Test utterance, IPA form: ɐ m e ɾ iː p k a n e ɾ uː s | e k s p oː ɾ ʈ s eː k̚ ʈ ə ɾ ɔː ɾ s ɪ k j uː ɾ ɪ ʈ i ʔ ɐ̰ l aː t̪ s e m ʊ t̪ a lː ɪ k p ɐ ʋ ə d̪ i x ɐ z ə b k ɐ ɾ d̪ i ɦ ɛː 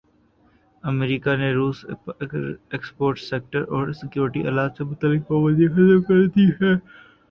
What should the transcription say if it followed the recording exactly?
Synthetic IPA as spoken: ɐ m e ɾ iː k a n e ɾ uː s | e k s p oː ɾ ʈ s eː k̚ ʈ ə ɾ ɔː ɾ s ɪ k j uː ɾ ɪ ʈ i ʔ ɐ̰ l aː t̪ s e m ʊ t̪ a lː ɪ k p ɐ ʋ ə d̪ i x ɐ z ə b k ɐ ɾ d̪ i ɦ ɛː